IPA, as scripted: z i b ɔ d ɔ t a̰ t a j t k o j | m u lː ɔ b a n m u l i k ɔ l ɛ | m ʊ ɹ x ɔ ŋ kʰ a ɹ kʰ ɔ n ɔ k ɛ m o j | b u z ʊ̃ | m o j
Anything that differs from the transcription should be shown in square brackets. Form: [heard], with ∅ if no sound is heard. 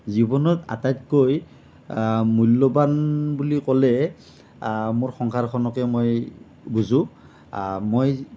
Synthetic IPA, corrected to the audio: z i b ɔ [n] ɔ t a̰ t a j t k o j | m u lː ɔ b a n [b] u l i k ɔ l ɛ | m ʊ ɹ x ɔ ŋ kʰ a ɹ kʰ ɔ n ɔ k ɛ m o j | b u z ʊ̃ | m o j